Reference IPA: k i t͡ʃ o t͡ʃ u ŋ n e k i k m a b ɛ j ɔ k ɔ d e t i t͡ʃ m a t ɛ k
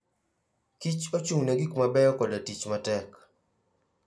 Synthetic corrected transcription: k i t͡ʃ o t͡ʃ u ŋ n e ɡ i k m a b ɛ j ɔ k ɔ d a t i t͡ʃ m a t ɛ k